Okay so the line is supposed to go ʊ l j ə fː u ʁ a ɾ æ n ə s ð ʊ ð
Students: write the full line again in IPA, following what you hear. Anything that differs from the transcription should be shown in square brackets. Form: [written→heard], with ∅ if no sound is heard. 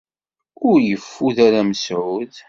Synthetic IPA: ʊ [l→ɾ] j ə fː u [ʁ→ð] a ɾ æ [n→m] ə s [ð→ʕ] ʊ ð